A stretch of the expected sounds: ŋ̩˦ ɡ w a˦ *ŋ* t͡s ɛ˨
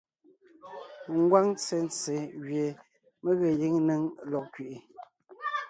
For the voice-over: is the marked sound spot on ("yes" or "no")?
yes